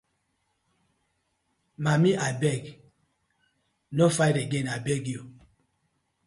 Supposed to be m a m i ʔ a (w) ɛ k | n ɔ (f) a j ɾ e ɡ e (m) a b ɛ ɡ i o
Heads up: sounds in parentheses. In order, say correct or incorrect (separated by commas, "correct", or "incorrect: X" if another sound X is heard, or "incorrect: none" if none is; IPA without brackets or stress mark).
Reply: incorrect: b, correct, incorrect: n